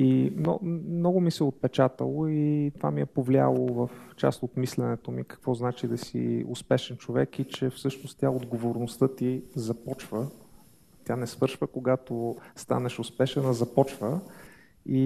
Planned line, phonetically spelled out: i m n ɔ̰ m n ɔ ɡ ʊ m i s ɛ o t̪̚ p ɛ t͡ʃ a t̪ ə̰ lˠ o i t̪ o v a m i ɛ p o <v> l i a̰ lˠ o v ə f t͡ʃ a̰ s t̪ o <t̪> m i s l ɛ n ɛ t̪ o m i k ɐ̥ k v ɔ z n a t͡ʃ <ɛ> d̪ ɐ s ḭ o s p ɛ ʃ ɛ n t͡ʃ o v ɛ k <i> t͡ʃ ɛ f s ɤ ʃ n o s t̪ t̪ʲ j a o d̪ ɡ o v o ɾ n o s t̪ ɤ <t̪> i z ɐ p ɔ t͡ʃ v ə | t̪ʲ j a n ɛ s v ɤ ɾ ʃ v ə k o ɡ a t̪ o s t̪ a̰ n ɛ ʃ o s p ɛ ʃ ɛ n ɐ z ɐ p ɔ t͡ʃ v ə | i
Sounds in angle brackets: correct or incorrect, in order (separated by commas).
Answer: correct, correct, incorrect, correct, correct